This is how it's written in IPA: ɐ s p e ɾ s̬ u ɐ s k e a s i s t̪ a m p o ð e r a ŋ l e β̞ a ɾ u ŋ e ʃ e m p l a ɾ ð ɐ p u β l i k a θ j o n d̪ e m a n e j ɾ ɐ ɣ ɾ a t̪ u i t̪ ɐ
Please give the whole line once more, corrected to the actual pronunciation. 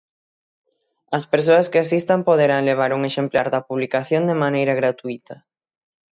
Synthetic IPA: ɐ s p e ɾ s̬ o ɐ s k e a s i s t̪ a m p o ð e ɾ a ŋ l e β̞ a ɾ u ŋ e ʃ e m p l a ɾ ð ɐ p u β l i k a θ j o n d̪ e m a n e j ɾ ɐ ɣ ɾ a t̪ u i t̪ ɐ